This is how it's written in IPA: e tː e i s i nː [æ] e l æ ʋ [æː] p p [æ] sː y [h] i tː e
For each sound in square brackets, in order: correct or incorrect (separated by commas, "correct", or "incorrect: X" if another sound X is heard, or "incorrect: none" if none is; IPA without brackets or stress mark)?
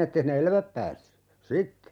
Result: incorrect: e, incorrect: æ, incorrect: æː, incorrect: s